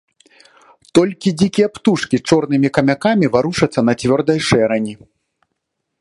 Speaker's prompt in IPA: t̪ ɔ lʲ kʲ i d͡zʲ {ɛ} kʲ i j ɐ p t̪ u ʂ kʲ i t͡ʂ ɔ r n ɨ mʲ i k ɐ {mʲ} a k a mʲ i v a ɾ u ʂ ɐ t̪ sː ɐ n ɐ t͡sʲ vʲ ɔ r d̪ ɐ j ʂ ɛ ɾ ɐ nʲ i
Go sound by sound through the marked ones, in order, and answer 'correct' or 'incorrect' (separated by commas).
incorrect, correct